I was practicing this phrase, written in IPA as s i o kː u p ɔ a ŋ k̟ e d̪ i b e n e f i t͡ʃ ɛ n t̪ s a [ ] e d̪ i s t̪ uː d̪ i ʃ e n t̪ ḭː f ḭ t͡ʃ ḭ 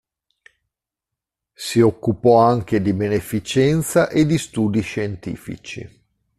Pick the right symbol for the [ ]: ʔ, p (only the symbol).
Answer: ʔ